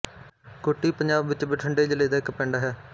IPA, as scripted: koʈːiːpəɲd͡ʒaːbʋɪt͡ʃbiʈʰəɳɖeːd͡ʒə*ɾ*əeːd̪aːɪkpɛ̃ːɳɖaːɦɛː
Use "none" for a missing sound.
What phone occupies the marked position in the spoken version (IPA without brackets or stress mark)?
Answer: l